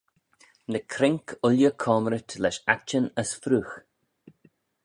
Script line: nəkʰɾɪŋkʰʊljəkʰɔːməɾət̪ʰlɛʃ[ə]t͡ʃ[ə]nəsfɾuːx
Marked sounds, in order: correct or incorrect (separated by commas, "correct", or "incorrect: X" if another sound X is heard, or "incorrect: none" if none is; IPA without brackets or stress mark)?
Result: incorrect: a, correct